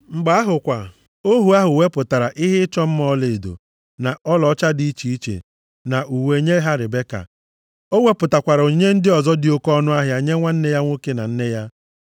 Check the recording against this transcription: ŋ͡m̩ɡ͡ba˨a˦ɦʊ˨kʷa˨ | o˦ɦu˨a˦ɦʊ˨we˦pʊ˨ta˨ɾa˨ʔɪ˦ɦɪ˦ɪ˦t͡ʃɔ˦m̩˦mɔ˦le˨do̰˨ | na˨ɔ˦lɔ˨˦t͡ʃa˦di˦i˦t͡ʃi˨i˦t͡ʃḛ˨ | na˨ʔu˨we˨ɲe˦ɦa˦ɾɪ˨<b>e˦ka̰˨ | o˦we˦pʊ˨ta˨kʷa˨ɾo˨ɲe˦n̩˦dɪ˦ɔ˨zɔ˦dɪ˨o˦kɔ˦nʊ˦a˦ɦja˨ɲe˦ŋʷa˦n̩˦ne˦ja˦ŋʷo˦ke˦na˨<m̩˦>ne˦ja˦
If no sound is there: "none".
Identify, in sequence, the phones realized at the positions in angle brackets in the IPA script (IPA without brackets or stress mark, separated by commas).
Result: b, n̩˦